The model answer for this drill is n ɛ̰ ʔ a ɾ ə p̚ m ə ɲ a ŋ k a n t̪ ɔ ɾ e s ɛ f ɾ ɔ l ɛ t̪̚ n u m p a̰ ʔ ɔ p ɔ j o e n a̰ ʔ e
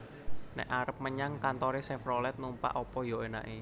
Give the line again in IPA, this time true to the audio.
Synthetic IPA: n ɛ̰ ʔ a ɾ ə p̚ m ə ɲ a ŋ k a n t̪ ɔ ɾ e s ɛ f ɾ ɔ l ɛ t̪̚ n u m p a̰ ʔ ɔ p ɔ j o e n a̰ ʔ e